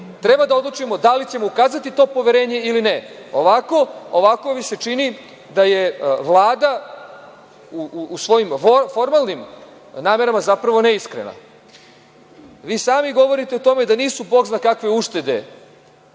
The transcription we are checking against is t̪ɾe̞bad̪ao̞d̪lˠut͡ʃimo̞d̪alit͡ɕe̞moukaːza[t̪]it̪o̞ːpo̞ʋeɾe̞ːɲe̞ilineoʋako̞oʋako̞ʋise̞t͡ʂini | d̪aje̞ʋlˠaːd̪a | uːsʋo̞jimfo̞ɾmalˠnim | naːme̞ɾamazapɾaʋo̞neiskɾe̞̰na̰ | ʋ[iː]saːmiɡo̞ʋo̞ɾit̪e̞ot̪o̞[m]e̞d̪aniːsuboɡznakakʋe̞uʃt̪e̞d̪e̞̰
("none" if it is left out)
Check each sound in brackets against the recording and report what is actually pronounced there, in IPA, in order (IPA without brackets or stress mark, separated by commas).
t̪, iː, m